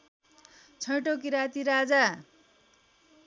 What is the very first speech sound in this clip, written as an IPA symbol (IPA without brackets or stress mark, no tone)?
t͡sʰ